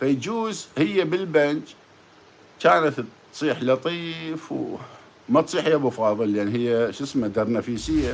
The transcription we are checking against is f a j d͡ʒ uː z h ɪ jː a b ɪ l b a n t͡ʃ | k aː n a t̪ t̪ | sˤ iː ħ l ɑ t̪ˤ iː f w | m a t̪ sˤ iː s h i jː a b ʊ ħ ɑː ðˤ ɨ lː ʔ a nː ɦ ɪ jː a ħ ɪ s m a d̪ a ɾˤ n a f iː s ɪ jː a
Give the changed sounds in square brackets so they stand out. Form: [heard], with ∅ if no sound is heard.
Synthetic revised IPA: f a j d͡ʒ uː z h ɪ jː a b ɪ l b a n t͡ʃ | k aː n a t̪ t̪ | sˤ iː ħ l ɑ t̪ˤ iː f w | m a t̪ sˤ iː [ħ] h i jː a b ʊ [f] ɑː ðˤ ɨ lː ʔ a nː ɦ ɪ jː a [ʃ] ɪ s m a d̪ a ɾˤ n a f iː s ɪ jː a